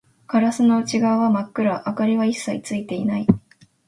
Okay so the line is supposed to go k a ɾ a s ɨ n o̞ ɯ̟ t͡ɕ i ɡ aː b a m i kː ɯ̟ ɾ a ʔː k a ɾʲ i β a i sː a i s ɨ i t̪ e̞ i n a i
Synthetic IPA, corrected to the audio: k a ɾ a s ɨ n o̞ ɯ̟ t͡ɕ i ɡ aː β a m a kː ɯ̟ ɾ a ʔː k a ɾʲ i β a i sː a i t͡s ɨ i t̪ e̞ i n a i